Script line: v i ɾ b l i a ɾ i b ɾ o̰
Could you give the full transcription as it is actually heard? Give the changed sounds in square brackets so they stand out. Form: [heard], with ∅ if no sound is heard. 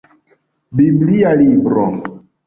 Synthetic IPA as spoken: [b] i [∅] b l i a [l] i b ɾ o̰